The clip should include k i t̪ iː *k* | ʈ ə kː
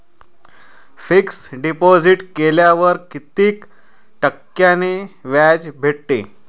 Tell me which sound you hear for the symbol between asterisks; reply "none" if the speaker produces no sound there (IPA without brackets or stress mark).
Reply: k